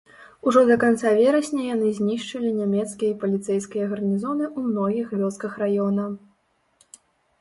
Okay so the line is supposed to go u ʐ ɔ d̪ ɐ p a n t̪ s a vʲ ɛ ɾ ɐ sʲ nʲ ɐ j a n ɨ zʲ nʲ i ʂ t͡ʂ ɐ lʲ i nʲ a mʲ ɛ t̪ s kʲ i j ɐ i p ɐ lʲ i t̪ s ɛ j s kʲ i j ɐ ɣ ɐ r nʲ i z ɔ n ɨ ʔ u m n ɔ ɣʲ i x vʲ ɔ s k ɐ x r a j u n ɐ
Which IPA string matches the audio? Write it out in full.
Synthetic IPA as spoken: u ʐ ɔ d̪ ɐ k a n t̪ s a vʲ ɛ ɾ ɐ sʲ nʲ ɐ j a n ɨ zʲ nʲ i ʂ t͡ʂ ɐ lʲ i nʲ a mʲ ɛ t̪ s kʲ i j ɐ i p ɐ lʲ i t̪ s ɛ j s kʲ i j ɐ ɣ ɐ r nʲ i z ɔ n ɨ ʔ u m n ɔ ɣʲ i x vʲ ɔ s k ɐ x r a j ɔ n ɐ